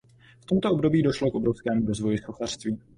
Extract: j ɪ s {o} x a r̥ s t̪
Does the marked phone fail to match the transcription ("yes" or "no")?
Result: no